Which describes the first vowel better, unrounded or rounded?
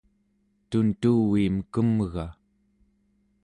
rounded